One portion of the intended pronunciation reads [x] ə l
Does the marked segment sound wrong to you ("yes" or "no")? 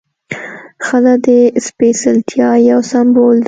no